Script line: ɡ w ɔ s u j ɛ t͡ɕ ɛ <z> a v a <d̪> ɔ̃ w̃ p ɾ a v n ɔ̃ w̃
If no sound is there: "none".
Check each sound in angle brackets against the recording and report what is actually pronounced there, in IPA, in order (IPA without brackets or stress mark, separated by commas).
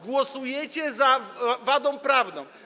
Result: z, d̪